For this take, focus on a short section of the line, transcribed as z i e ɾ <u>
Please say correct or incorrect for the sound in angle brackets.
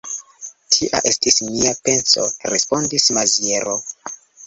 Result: incorrect